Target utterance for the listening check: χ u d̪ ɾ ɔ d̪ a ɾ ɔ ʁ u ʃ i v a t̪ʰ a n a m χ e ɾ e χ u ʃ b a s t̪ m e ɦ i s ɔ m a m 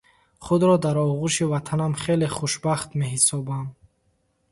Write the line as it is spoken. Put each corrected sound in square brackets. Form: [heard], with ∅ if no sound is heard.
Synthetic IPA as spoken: χ u d̪ ɾ ɔ d̪ a ɾ ɔ ʁ u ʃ i v a t̪ʰ a n a m χ e [l] e χ u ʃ b a [χ] t̪ m e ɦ i s ɔ [b] a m